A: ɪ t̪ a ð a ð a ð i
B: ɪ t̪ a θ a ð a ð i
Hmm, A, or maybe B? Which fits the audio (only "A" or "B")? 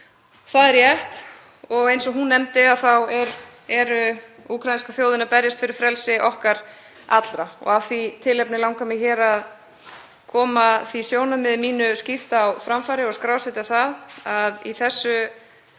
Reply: B